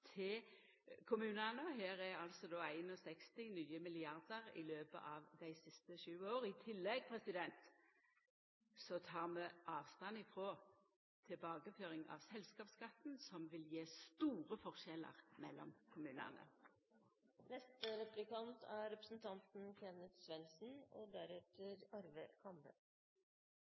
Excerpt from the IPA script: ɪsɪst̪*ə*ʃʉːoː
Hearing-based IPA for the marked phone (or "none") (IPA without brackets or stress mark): ə